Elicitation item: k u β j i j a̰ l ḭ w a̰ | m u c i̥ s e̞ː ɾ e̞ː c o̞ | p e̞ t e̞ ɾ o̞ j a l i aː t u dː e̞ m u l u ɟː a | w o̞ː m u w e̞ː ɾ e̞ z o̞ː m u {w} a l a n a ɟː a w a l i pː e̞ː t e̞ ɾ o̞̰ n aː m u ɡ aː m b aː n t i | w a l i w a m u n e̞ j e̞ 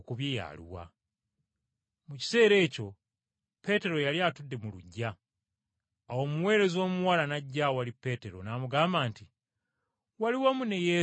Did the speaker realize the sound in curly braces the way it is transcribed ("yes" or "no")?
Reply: yes